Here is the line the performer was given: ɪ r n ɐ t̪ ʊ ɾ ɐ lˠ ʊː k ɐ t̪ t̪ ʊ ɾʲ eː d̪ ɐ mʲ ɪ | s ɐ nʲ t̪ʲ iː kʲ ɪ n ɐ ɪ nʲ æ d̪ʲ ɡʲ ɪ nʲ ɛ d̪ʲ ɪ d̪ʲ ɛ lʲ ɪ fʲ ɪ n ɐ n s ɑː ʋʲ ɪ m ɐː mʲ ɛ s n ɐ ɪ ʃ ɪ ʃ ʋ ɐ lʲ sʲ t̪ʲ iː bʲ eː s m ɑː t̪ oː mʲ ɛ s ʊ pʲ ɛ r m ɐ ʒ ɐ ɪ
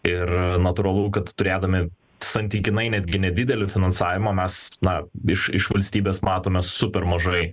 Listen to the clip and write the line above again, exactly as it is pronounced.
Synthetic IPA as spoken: ɪ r n ɐ t̪ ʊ ɾ ɐ lˠ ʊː k ɐ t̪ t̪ ʊ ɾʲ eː d̪ ɐ mʲ ɪ | s ɐ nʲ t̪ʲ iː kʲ ɪ n ɐ ɪ nʲ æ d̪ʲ ɡʲ ɪ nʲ ɛ d̪ʲ ɪ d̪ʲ ɛ lʲ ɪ fʲ ɪ n ɐ n s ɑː ʋʲ ɪ m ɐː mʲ ɛ s n ɐ ɪ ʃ ɪ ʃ ʋ ɐ lʲ sʲ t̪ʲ iː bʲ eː s m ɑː t̪ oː mʲ ɛ s ʊ pʲ ɛ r m ɐ ʒ ɐ ɪ